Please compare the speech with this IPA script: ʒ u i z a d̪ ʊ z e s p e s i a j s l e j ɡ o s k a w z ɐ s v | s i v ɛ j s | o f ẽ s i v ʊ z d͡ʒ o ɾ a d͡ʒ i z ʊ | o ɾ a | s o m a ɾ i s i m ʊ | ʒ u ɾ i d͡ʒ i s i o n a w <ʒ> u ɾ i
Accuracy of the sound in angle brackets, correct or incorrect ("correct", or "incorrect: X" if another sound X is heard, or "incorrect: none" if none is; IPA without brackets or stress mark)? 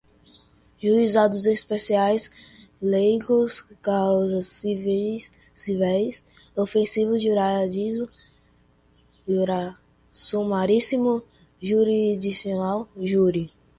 correct